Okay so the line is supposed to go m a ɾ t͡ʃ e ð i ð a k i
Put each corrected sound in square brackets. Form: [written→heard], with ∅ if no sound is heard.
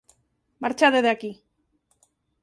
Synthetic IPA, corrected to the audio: m a ɾ t͡ʃ [e→a] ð [i→e] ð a k i